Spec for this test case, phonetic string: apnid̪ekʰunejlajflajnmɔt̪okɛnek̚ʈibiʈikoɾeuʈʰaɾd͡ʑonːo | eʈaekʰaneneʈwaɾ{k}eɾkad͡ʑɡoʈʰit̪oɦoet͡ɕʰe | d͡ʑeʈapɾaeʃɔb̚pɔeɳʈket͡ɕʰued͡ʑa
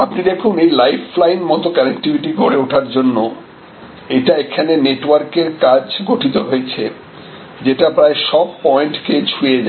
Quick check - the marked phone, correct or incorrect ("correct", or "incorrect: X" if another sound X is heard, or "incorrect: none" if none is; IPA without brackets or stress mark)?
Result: correct